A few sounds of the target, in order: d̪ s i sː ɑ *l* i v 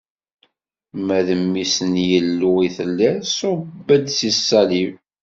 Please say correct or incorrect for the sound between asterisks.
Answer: correct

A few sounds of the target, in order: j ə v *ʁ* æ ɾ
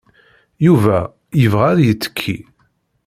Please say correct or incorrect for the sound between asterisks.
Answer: correct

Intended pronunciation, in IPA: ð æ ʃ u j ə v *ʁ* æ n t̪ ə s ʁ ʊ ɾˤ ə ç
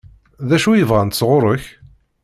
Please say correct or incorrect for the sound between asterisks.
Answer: correct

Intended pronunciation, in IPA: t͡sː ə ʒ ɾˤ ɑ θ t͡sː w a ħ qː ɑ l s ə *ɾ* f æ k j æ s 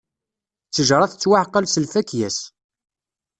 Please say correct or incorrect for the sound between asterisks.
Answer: incorrect: l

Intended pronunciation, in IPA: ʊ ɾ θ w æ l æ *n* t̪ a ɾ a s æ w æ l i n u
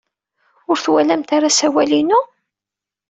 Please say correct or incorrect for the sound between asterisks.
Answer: incorrect: m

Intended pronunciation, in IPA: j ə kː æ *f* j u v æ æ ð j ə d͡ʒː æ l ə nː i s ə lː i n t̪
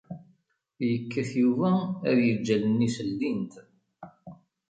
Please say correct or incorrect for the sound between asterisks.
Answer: incorrect: θ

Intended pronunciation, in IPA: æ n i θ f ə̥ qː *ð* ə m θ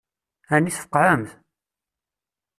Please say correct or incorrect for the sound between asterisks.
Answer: incorrect: ʕ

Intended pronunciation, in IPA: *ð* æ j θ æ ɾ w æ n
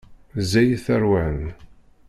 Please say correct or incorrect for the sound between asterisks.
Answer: incorrect: z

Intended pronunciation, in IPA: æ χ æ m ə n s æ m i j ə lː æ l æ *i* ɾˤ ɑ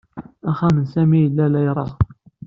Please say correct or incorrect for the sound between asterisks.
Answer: incorrect: j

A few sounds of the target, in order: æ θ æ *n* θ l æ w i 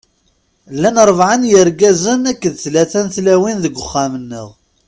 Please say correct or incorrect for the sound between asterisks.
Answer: correct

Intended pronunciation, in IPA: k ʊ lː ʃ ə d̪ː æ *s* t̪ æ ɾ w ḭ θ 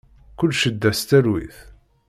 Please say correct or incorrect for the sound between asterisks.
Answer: correct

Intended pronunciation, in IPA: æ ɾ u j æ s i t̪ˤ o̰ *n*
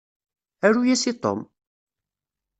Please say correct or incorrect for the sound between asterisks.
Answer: incorrect: m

